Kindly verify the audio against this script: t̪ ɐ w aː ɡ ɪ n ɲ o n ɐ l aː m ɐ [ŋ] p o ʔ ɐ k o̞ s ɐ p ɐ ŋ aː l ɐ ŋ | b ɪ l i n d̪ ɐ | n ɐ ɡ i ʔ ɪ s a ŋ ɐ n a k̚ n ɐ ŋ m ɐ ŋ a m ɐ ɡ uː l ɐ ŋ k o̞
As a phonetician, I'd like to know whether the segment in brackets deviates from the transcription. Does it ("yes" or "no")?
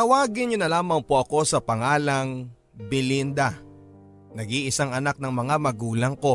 no